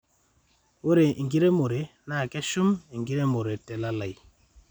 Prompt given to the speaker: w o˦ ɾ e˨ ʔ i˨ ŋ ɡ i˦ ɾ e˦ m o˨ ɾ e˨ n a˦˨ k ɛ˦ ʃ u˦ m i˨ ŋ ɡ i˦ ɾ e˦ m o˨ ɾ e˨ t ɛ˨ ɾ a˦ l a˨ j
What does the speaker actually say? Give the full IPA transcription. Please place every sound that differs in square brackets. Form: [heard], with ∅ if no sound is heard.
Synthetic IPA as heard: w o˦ ɾ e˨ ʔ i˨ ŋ ɡ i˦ ɾ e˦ m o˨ ɾ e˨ n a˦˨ k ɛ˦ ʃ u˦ m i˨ ŋ ɡ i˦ ɾ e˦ m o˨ ɾ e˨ t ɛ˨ [l] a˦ l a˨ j

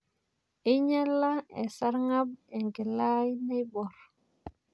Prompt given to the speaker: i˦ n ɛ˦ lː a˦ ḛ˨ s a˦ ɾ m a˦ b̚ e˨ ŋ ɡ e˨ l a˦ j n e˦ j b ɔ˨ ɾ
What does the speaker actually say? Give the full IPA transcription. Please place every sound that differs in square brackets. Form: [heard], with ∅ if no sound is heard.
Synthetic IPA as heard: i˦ [ɲ] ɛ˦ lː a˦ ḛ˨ s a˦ ɾ [ŋ] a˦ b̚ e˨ ŋ ɡ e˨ l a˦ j n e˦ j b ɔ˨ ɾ

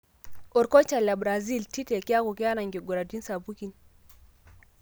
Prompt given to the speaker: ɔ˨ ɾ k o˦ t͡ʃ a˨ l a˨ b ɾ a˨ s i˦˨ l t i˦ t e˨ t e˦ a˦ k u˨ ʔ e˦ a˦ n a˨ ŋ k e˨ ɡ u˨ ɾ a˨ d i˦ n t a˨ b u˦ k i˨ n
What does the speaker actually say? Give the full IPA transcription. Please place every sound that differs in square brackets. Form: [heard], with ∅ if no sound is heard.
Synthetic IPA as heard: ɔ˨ ɾ k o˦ t͡ʃ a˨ l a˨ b ɾ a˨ [z] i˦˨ l t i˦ t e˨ [k] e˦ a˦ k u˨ [k] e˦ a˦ n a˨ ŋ [ɡ] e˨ ɡ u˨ ɾ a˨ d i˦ n [s] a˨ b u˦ k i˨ n

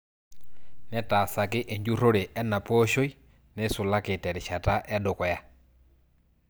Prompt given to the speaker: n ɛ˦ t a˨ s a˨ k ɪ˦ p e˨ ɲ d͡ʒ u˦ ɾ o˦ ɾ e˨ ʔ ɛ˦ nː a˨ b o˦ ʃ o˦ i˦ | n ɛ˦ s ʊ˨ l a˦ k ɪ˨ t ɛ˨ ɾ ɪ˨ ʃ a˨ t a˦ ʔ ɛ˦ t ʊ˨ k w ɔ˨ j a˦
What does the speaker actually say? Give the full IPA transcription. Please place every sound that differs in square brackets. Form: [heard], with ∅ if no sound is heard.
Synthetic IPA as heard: n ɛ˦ t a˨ s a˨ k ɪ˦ [ʔ] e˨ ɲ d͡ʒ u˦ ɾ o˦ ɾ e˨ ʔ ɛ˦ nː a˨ [p] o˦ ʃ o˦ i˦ | n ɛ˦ s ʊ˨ l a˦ k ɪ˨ t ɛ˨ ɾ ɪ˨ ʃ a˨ t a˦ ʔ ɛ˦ [d] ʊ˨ k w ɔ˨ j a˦

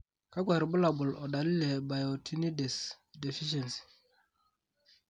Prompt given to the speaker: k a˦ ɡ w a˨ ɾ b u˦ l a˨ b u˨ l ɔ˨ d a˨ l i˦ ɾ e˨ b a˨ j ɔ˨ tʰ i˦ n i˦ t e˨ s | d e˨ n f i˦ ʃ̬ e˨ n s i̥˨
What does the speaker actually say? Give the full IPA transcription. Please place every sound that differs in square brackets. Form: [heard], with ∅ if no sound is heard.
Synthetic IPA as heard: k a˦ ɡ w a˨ ɾ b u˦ l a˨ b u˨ l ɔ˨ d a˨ l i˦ [l] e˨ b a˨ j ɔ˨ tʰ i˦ n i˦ [d] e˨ s | d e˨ [∅] f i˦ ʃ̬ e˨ n s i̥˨

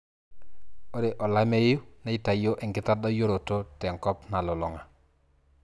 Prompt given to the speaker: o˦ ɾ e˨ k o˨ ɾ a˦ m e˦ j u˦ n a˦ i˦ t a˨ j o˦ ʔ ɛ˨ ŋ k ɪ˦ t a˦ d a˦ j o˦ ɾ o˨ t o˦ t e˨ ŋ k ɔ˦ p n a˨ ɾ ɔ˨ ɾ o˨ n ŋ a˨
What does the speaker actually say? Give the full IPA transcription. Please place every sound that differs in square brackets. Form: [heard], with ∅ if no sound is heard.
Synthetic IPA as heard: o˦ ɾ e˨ [ʔ] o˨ [l] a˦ m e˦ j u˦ n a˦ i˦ t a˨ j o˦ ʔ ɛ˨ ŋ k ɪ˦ t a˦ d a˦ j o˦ ɾ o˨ t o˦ t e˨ ŋ k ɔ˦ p n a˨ [l] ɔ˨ [l] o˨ [∅] ŋ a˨

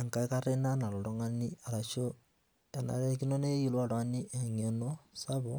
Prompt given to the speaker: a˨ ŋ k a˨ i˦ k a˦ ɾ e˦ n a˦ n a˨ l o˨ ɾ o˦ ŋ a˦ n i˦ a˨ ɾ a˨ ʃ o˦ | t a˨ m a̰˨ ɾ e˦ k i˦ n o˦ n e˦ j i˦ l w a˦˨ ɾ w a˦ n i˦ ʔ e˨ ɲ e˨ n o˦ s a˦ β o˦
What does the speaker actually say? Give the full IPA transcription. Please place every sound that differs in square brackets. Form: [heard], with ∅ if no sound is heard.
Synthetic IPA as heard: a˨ ŋ k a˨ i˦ k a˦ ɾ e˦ n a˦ n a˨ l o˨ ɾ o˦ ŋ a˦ n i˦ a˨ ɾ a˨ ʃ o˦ | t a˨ [n] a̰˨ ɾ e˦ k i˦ n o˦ n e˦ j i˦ l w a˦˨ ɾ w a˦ n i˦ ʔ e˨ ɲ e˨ n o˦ s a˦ β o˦

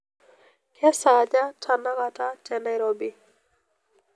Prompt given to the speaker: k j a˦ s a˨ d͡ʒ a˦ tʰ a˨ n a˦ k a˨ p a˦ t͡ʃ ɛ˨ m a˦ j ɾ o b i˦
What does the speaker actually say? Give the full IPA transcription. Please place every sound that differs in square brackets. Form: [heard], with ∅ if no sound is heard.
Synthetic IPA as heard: k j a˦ s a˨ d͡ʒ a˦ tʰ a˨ n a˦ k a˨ [t] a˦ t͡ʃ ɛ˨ [n] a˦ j ɾ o b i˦

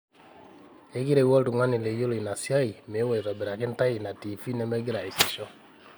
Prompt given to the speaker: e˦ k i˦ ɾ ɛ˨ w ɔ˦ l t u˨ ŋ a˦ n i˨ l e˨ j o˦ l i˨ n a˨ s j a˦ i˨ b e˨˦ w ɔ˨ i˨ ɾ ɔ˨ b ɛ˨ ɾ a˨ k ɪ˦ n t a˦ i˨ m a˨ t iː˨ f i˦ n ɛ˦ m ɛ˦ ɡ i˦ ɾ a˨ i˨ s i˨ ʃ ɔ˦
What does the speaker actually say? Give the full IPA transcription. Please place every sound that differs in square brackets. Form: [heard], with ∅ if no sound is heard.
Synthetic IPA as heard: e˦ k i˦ ɾ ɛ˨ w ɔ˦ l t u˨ ŋ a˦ n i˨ l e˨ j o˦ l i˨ n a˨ s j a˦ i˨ [m] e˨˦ w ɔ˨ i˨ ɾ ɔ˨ b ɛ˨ ɾ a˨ k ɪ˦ n t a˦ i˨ [n] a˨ t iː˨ f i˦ n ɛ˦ m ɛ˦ ɡ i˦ ɾ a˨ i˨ s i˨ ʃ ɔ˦

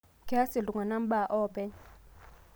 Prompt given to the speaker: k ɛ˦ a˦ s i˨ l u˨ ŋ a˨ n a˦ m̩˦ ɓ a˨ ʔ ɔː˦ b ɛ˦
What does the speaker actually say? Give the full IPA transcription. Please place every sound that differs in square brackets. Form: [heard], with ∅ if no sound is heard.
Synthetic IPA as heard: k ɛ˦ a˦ s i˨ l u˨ ŋ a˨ n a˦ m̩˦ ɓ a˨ ʔ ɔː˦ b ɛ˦

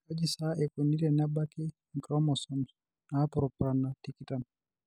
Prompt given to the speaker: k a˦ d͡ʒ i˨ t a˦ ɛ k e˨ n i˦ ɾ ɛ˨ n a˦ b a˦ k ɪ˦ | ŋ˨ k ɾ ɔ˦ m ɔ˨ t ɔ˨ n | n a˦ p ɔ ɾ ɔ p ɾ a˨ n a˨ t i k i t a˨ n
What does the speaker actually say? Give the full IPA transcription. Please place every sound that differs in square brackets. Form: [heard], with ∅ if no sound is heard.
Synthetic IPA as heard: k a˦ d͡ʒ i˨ [s] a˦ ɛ k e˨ n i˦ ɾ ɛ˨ n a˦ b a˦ k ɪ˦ | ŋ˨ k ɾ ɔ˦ m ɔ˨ [s] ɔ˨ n | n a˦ p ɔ ɾ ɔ p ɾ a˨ n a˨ t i k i t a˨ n

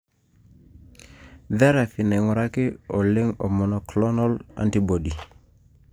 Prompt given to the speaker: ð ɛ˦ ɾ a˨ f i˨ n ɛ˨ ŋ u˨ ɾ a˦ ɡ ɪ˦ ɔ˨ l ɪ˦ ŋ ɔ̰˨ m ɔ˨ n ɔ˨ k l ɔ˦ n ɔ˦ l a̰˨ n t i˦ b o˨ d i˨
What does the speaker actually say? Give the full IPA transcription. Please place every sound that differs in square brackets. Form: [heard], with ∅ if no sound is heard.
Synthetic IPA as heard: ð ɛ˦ ɾ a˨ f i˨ n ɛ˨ ŋ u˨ ɾ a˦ [k] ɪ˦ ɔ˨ l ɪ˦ ŋ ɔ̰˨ m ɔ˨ n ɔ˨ k l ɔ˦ n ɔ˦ l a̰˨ n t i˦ b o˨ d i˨

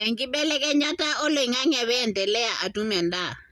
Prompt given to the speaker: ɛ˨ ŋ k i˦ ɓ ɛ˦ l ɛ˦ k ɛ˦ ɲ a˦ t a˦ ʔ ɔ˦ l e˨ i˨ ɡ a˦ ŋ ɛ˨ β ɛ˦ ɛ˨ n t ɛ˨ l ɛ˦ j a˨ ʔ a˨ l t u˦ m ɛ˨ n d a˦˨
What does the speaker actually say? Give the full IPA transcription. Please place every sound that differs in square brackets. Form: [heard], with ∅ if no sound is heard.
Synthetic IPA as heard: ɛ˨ ŋ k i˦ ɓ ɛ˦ l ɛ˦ k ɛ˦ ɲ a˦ t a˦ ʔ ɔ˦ l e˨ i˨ [ŋ] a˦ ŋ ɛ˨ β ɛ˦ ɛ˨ n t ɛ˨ l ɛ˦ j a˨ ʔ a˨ [∅] t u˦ m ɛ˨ n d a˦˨

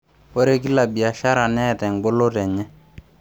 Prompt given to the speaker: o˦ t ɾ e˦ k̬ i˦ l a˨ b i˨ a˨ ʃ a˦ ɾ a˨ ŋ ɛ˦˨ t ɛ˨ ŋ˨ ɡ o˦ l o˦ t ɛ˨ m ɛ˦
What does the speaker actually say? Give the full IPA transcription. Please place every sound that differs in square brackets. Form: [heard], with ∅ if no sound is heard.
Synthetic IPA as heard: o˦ [∅] ɾ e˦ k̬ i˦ l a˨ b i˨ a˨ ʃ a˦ ɾ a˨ [n] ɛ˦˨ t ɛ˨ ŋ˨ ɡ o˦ l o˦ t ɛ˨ [ɲ] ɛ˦

